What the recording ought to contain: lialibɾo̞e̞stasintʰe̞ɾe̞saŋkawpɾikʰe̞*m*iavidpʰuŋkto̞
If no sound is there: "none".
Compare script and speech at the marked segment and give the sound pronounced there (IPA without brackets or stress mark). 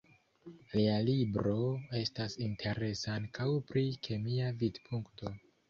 m